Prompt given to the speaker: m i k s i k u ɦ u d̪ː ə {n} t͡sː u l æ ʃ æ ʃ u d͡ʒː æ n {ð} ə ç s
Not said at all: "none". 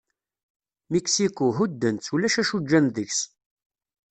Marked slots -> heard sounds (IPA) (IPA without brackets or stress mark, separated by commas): n, ð